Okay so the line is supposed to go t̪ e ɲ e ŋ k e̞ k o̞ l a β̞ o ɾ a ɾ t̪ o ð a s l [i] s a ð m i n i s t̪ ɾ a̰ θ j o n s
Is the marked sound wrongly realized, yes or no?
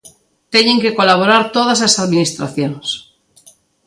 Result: yes